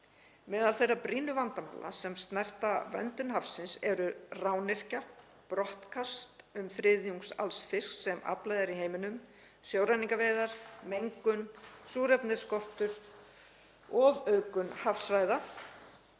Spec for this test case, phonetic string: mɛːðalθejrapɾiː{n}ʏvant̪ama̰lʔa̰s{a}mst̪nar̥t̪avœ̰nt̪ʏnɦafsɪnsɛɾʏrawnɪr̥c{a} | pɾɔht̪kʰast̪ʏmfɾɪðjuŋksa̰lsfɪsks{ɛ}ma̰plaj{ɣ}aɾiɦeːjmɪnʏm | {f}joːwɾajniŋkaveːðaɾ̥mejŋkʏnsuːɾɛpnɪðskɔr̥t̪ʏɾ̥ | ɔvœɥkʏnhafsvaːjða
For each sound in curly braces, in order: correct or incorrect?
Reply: correct, incorrect: ɛ, correct, correct, incorrect: ð, incorrect: s

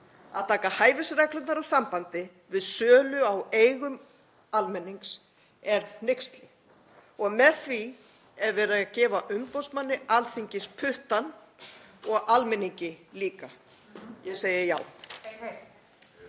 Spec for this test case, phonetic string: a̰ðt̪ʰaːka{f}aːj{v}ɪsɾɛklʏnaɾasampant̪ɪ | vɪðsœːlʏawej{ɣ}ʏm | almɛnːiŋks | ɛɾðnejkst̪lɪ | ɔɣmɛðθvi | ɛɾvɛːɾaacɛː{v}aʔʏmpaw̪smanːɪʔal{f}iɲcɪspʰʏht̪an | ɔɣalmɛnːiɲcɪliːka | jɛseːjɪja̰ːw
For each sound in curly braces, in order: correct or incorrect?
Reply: incorrect: h, correct, correct, correct, incorrect: θ

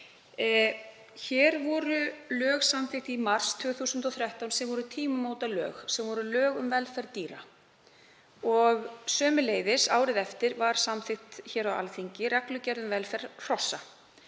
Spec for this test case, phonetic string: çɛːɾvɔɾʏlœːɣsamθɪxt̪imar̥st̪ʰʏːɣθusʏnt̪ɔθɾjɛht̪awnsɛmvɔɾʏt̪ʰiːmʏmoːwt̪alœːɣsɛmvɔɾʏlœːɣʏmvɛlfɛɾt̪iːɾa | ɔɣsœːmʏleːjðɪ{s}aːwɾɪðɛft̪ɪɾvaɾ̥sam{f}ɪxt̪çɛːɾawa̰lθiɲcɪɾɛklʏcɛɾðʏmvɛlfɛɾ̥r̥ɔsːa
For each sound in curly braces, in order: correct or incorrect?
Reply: correct, incorrect: θ

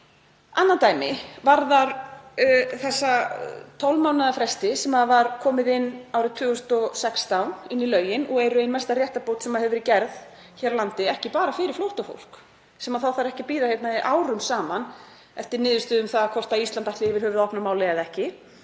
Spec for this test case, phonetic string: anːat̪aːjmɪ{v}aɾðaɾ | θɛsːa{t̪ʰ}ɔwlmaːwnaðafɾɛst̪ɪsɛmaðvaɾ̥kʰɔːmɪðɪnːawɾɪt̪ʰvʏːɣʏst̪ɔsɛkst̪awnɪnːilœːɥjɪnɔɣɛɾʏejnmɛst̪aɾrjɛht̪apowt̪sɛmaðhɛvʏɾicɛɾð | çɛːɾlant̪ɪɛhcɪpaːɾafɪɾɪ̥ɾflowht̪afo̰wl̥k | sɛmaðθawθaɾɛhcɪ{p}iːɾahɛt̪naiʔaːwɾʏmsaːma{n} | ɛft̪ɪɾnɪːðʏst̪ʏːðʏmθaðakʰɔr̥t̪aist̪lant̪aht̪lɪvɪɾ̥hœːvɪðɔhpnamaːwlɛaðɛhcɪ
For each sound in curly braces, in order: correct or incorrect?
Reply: correct, correct, correct, correct

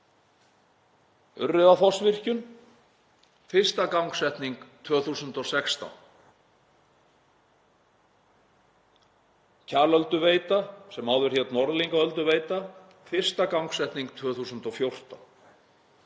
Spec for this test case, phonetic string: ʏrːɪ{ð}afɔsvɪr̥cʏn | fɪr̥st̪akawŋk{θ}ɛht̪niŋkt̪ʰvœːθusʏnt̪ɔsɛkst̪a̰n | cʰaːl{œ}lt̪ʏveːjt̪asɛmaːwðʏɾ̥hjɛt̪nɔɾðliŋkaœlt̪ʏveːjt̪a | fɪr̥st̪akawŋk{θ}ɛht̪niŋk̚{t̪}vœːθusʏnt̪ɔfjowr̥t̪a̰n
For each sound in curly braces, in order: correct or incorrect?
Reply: correct, incorrect: s, correct, incorrect: s, incorrect: t̪ʰ

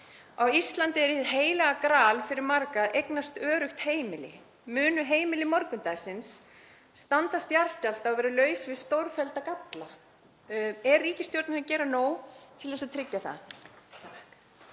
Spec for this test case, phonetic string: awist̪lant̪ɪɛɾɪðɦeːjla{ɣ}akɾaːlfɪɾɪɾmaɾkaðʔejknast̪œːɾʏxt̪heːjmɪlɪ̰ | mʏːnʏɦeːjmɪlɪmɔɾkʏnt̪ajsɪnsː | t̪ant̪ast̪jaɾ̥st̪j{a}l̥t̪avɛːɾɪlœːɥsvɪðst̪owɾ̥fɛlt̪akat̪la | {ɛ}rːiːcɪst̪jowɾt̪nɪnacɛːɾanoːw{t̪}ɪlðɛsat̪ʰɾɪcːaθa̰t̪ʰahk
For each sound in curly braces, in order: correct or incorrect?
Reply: correct, correct, correct, incorrect: t̪ʰ

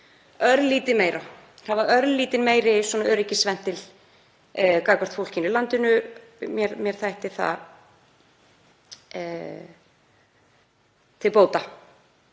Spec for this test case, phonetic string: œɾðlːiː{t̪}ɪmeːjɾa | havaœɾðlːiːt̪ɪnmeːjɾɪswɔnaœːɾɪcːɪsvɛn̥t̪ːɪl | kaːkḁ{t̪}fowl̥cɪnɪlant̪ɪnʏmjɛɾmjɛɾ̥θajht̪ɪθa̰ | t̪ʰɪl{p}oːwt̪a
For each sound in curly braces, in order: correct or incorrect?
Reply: correct, correct, correct

